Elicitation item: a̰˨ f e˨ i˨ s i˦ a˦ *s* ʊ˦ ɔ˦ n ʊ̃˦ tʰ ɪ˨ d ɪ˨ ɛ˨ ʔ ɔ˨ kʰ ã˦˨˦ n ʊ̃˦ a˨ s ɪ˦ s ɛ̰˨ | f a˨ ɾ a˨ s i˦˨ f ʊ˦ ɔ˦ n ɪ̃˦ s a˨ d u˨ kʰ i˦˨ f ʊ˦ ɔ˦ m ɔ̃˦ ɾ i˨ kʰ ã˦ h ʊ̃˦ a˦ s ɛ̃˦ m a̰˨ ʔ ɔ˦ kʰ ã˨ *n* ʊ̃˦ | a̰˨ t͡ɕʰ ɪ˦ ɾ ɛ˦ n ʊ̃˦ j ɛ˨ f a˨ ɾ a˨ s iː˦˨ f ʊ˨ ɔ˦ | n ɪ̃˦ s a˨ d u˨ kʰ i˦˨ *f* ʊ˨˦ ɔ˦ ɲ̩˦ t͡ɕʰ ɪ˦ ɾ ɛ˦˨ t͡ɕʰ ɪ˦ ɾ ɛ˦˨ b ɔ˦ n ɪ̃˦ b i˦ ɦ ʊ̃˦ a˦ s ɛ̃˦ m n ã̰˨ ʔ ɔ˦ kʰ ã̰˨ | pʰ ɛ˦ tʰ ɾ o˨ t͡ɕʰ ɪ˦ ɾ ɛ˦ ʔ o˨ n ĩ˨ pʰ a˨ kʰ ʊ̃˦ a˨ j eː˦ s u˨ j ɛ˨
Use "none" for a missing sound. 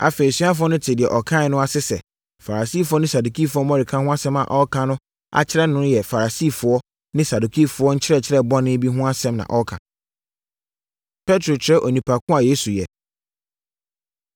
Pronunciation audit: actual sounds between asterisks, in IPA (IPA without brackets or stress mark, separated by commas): f, n, f